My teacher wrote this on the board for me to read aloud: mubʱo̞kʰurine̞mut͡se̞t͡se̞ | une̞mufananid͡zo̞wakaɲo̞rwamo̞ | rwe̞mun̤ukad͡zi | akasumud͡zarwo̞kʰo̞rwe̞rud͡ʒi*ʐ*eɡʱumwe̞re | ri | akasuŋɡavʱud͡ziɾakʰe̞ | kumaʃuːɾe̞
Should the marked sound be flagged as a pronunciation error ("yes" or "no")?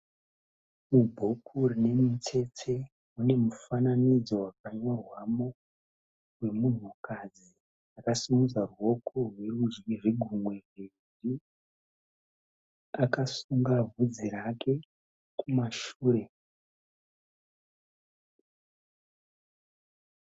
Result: no